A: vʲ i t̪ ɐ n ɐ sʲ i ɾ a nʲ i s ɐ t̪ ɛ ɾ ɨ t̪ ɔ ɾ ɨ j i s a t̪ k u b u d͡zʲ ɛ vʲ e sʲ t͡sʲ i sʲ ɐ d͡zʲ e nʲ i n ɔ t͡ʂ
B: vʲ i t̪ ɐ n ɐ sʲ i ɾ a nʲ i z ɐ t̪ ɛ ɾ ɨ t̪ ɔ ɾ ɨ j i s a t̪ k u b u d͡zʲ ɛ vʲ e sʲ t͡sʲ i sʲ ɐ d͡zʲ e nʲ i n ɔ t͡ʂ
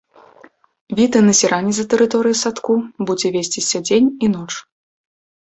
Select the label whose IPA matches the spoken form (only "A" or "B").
B